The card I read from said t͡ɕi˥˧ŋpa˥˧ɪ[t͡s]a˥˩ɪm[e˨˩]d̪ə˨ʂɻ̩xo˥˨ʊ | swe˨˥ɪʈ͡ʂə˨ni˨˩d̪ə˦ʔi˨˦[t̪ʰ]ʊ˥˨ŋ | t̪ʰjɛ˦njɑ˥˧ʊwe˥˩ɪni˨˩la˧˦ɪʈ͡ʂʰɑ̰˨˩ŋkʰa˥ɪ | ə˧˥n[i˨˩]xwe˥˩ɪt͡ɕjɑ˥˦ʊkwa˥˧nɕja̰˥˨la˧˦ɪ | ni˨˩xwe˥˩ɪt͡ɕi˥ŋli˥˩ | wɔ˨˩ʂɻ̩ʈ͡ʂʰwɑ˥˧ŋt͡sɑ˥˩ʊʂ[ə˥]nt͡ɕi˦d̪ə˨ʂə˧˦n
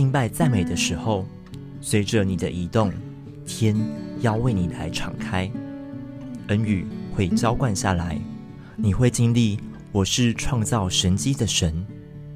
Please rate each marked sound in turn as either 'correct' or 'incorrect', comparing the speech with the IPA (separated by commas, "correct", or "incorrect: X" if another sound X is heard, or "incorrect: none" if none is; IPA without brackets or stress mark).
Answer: correct, correct, incorrect: t̪, incorrect: y˨˩, incorrect: ə˧˦